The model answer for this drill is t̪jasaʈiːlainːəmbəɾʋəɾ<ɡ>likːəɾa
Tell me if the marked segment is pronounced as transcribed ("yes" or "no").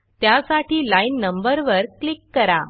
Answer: no